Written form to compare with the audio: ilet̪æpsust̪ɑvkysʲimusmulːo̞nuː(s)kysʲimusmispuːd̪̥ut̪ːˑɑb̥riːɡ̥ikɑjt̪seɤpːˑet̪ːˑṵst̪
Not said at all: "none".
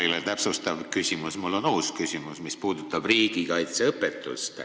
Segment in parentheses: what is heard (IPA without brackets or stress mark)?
s